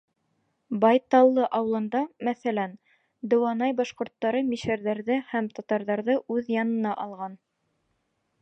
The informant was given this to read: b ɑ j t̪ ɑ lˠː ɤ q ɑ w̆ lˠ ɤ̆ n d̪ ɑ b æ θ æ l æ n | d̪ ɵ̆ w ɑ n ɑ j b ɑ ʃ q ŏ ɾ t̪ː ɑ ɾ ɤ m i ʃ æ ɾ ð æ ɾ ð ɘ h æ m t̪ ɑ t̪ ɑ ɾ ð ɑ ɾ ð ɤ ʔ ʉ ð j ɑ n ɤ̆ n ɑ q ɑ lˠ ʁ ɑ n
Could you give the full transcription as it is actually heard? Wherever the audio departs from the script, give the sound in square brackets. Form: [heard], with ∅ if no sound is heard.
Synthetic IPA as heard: b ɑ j t̪ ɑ lˠː ɤ [ʔ] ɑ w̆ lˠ ɤ̆ n d̪ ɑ [m] æ θ æ l æ n | d̪ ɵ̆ w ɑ n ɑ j b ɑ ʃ q ŏ ɾ t̪ː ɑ ɾ ɤ m i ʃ æ ɾ ð æ ɾ ð ɘ h æ m t̪ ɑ t̪ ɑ ɾ ð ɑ ɾ ð ɤ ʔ ʉ ð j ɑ n ɤ̆ n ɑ [ʔ] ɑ lˠ ʁ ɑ n